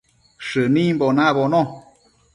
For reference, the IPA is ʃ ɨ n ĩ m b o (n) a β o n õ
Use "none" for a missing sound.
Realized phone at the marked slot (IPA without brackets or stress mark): n